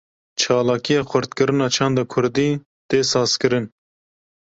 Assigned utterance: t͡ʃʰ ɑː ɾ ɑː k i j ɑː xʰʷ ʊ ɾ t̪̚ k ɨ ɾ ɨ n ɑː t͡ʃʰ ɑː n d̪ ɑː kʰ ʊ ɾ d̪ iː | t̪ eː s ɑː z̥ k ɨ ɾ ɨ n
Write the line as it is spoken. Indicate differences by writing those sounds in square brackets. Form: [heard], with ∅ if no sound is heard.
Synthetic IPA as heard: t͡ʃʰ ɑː [l] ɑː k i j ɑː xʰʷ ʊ ɾ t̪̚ k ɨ ɾ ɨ n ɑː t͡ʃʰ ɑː n d̪ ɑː kʰ ʊ ɾ d̪ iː | t̪ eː s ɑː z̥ k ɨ ɾ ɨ n